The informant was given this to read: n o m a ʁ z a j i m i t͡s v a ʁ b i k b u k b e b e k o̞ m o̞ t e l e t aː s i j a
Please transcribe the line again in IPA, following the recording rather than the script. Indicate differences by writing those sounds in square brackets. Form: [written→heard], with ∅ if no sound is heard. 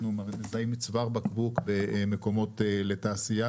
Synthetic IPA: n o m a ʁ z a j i m i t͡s v a ʁ b [i→a] k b u k b e [b→m] e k o̞ m o̞ t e l e t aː s i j a

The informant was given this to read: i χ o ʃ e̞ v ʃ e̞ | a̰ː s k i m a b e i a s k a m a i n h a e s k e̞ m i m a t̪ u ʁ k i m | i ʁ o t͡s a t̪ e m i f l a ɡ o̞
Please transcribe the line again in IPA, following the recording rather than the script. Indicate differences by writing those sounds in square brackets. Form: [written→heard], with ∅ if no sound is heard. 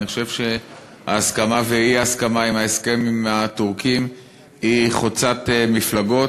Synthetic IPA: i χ o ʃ e̞ v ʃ e̞ | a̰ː s k [i→a] m a [b→v] e i a s k a m a i [n→m] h a e s k e̞ m i m a t̪ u ʁ k i m | i [ʁ→χ] o t͡s a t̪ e m i f l a ɡ o̞

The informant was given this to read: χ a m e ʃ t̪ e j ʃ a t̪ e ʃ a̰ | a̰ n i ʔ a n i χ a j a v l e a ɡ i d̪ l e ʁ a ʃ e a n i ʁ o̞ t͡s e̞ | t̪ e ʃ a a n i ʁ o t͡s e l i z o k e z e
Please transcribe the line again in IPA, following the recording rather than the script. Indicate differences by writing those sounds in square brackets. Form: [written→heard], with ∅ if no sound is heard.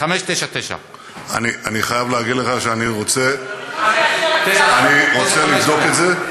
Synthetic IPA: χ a m e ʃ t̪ e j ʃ a t̪ e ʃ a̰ | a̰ n i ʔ a n i χ a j a v l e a ɡ i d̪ l e [ʁ→χ] a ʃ e a n i ʁ o̞ t͡s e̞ | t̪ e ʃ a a n i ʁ o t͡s e l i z o k e z e

